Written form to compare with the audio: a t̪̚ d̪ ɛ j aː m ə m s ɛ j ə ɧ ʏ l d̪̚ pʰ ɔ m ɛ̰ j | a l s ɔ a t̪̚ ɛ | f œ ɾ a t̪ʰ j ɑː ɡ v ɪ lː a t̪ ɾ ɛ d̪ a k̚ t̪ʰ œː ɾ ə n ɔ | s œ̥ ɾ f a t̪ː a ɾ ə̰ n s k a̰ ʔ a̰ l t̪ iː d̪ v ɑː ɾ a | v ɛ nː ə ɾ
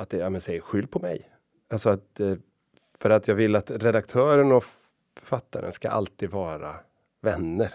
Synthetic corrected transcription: a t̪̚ d̪ ɛ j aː m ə n s ɛ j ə ɧ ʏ l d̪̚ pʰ ɔ m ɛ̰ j | a l s ɔ a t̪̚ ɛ | f œ ɾ a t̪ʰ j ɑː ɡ v ɪ lː a t̪ ɾ ɛ d̪ a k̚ t̪ʰ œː ɾ ə n ɔ | f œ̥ ɾ f a t̪ː a ɾ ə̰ n s k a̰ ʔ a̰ l t̪ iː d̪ v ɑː ɾ a | v ɛ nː ə ɾ